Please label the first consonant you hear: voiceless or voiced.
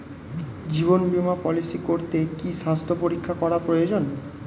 voiced